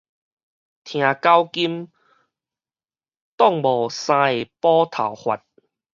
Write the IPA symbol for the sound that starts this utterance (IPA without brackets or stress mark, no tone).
t̪ʰ